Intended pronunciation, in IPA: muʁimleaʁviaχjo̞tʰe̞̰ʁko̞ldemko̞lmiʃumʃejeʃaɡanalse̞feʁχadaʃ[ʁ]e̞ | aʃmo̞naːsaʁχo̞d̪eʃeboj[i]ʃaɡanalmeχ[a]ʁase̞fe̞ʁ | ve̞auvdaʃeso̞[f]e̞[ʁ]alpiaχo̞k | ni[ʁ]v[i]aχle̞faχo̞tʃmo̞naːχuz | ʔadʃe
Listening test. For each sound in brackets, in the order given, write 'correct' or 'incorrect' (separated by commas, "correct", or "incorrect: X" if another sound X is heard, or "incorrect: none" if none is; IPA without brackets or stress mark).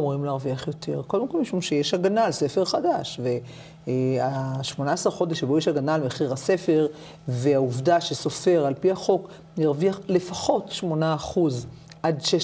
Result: incorrect: v, incorrect: e, incorrect: i, correct, correct, correct, correct